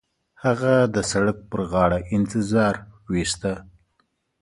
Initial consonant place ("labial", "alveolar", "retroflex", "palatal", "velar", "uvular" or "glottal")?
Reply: glottal